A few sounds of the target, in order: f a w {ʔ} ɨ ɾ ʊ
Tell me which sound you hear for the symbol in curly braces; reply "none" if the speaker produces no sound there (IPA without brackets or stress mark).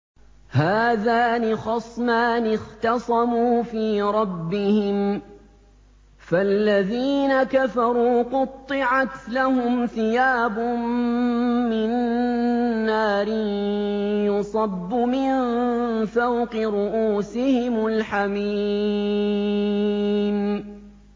q